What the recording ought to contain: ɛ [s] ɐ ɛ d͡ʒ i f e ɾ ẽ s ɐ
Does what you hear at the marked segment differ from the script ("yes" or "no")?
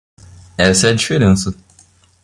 no